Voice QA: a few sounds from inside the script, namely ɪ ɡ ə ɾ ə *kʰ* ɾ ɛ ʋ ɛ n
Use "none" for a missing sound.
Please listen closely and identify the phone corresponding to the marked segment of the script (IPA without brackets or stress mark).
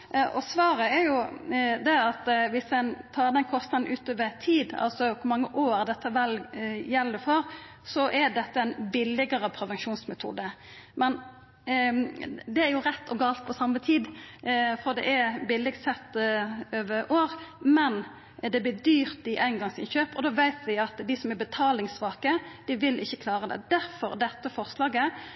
pʰ